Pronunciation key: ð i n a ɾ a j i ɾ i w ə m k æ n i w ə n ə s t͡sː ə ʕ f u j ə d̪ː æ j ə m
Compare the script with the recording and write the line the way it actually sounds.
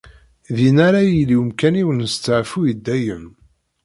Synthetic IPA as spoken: ð i n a ɾ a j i l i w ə m k æ n i w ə n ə s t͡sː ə ʕ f u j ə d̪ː æ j ə m